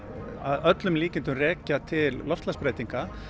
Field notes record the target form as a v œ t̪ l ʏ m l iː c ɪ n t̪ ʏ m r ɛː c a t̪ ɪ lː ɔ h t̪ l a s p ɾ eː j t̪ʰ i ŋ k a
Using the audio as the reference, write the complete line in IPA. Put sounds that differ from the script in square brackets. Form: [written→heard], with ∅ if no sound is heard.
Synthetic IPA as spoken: a [v→ð] œ t̪ l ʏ m l iː c ɪ n t̪ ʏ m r ɛː c a [t̪→t̪ʰ] ɪ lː ɔ [h→f] t̪ l a s p ɾ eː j [t̪ʰ→t̪] i ŋ k a